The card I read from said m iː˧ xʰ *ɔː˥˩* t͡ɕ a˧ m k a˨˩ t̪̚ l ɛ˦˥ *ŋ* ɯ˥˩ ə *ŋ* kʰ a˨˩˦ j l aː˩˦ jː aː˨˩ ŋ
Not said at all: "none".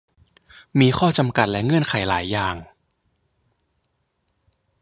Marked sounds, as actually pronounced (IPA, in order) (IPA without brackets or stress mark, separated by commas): ɔː˥˩, ŋ, n